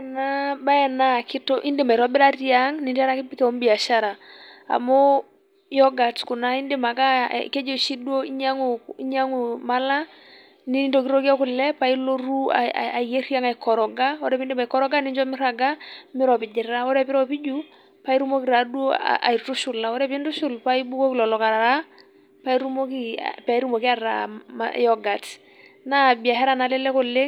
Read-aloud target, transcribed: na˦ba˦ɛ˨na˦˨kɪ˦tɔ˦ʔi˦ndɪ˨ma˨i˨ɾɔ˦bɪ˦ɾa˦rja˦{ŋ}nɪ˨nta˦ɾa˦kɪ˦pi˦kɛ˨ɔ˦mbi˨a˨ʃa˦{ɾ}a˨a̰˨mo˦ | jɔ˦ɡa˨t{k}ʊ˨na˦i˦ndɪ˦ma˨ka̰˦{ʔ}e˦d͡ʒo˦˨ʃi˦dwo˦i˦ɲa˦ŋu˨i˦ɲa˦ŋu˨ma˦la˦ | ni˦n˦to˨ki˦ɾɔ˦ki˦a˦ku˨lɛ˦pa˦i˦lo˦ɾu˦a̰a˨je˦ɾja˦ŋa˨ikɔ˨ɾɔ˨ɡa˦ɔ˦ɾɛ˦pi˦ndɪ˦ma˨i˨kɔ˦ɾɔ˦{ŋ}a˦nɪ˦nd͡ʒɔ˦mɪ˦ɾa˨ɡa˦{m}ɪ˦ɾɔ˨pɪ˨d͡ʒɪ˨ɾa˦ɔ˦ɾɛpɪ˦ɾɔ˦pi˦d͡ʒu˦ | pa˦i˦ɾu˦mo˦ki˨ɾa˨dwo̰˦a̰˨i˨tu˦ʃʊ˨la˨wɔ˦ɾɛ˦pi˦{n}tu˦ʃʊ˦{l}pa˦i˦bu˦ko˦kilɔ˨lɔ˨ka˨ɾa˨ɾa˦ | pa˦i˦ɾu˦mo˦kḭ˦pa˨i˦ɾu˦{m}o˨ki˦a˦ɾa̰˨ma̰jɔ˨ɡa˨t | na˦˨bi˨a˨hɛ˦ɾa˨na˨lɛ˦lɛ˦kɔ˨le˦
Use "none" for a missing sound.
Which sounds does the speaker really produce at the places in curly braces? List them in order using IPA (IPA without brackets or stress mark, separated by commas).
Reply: ŋ, ɾ, k, k, ɡ, m, n, l, m